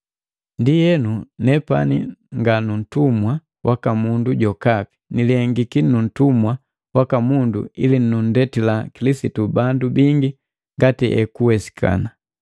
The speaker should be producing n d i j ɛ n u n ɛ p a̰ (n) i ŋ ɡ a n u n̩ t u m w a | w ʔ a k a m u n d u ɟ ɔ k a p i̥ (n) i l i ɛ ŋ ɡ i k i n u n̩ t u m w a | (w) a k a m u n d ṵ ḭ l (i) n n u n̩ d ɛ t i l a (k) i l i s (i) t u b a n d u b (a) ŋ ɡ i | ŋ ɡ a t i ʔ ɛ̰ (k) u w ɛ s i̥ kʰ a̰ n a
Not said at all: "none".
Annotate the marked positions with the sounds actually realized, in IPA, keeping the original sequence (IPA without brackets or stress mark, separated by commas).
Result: n, n, w, i, k, i, i, k